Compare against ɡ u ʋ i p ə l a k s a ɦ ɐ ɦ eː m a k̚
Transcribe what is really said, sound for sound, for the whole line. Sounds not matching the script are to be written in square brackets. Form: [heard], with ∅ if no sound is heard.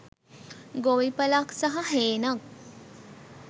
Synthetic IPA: ɡ [o] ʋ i p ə l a k s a ɦ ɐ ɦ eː [n] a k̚